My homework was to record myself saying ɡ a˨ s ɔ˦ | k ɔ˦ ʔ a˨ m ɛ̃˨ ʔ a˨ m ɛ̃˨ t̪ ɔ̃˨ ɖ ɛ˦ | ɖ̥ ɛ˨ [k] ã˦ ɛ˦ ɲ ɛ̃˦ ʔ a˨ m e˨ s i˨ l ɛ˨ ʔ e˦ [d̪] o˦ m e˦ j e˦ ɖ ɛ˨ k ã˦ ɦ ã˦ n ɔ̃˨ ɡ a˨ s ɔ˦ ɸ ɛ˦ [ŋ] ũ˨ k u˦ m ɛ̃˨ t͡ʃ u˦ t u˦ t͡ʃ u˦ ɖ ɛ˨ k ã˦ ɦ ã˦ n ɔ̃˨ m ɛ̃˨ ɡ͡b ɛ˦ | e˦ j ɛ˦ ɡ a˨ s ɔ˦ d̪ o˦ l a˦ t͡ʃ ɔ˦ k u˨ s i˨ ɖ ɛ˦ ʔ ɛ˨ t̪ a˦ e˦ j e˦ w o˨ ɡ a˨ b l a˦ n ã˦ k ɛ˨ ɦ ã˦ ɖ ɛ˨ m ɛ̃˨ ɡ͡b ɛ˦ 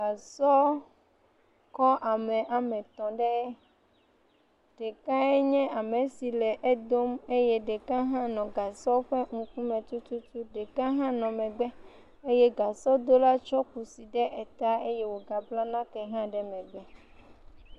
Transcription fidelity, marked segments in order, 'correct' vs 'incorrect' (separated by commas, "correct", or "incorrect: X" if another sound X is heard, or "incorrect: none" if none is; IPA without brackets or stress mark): correct, correct, correct